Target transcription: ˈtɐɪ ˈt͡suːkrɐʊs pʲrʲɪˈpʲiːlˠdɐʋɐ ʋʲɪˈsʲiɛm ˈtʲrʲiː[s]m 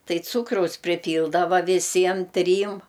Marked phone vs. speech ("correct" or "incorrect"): incorrect